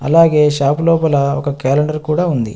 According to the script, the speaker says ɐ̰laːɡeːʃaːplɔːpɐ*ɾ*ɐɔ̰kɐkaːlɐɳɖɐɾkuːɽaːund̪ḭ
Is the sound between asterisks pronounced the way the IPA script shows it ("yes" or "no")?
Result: no